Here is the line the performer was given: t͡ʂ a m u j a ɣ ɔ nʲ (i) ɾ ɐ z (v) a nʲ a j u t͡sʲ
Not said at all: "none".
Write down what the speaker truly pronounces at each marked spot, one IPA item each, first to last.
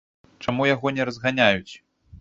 ɛ, ɣ

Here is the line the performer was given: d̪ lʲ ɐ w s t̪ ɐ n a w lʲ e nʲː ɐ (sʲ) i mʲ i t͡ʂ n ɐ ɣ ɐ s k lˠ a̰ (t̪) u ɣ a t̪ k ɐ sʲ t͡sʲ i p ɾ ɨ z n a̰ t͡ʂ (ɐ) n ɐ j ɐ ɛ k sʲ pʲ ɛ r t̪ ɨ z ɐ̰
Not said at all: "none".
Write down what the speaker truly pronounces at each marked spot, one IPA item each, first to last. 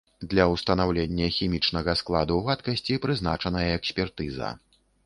xʲ, d̪, ɐ

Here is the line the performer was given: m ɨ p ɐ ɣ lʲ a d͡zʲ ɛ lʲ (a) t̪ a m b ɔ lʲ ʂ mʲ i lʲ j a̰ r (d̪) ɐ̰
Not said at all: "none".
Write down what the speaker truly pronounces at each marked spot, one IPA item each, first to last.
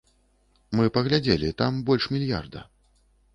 i, d̪

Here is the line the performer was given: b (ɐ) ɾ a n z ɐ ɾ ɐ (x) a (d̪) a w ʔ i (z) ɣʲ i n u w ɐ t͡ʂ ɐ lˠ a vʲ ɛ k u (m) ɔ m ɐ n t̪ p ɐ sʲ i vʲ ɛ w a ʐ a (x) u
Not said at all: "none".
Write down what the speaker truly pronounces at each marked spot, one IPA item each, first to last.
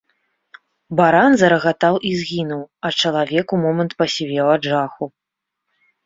a, ɣ, t̪, z, m, x

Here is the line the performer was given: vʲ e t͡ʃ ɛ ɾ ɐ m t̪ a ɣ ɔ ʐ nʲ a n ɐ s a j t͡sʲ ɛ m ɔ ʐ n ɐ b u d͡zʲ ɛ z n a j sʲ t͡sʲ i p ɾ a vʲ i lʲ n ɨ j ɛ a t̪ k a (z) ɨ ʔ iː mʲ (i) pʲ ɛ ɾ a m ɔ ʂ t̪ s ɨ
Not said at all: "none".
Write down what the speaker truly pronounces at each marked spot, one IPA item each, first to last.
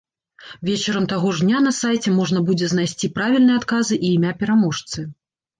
z, a

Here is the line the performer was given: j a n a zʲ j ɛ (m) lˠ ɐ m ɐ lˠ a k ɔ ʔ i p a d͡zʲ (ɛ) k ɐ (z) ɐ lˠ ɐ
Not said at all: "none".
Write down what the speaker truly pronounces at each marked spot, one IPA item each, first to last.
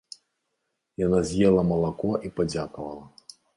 none, a, v

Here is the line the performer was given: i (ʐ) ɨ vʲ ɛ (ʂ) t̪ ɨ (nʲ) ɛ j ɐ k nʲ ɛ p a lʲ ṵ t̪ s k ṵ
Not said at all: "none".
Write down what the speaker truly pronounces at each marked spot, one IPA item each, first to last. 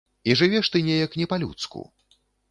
ʐ, ʂ, nʲ

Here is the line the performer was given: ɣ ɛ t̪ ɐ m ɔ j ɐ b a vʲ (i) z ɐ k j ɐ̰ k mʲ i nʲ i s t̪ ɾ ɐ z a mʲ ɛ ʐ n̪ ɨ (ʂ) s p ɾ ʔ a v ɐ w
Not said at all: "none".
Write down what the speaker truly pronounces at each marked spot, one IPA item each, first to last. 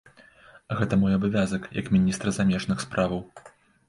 a, x

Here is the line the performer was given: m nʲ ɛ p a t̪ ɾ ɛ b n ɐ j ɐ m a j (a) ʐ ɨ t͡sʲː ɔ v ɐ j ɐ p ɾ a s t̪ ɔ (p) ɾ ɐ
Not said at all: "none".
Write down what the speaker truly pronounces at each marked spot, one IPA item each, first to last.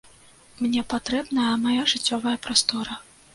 a, none

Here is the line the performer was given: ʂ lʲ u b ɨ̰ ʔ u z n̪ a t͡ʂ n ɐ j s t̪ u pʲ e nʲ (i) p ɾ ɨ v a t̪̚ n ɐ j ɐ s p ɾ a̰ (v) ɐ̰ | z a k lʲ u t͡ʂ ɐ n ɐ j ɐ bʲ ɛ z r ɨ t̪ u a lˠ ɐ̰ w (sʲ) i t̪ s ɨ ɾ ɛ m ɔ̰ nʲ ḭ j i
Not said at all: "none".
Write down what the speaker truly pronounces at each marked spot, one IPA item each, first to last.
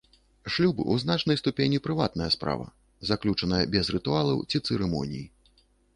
i, v, t͡sʲ

